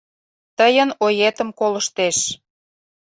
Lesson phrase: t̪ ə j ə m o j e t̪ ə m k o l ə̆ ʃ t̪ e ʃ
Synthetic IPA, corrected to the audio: t̪ ə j ə n o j e t̪ ə m k o l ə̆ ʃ t̪ e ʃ